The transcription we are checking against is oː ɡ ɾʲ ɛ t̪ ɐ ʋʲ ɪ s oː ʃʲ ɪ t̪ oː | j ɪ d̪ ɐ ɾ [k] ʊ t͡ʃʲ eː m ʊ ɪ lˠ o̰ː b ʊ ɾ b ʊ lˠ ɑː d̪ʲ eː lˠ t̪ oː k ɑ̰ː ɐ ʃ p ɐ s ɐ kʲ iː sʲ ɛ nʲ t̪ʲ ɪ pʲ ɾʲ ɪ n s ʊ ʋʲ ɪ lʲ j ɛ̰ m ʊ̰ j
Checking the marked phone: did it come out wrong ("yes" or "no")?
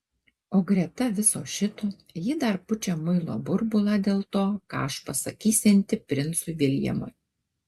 yes